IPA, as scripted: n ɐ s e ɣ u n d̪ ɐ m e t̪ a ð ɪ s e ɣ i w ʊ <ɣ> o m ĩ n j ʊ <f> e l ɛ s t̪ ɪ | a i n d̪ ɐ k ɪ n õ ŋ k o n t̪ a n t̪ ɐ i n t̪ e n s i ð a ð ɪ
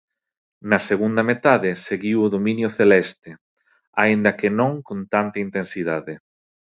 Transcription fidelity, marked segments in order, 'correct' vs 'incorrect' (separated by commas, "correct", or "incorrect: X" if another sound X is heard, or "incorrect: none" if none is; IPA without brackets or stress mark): incorrect: ð, incorrect: θ